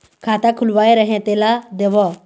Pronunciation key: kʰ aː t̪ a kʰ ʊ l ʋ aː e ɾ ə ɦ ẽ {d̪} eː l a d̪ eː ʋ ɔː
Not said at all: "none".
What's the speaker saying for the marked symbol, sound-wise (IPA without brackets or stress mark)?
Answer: t̪